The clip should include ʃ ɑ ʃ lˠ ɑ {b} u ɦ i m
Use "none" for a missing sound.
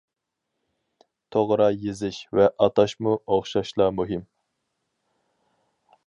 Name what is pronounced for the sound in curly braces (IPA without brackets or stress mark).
m